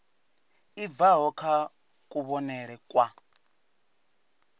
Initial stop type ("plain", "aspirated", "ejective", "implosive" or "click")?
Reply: aspirated